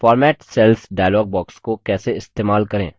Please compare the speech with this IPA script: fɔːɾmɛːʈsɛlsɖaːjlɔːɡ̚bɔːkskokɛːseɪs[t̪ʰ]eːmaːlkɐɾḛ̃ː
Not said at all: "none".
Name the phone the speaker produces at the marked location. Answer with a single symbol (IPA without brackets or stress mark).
t̪